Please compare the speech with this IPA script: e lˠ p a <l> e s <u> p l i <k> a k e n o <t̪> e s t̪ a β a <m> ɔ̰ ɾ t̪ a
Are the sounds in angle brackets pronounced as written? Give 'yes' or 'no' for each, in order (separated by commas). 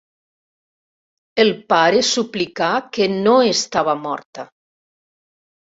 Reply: no, yes, yes, no, yes